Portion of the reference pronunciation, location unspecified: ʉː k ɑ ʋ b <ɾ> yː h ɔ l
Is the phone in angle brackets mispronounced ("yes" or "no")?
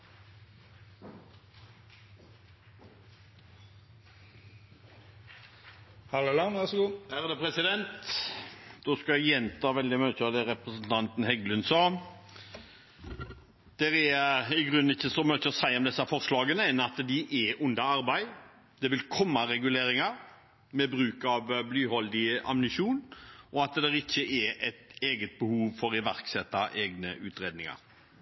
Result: yes